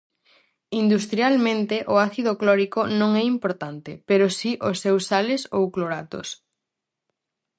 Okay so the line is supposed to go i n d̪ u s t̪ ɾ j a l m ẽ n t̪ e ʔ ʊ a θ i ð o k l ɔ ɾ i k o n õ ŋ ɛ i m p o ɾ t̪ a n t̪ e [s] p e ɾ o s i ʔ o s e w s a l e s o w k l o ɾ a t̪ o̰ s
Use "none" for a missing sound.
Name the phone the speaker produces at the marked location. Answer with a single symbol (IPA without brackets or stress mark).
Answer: none